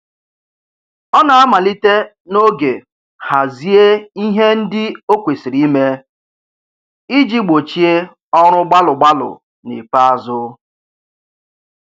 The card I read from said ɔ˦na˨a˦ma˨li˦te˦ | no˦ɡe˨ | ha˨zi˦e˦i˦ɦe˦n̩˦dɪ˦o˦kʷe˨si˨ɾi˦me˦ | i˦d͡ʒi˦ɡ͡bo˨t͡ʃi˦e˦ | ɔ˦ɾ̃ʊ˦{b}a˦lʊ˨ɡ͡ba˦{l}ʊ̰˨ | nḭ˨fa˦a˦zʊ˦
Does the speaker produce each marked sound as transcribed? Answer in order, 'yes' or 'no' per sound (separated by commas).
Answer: no, yes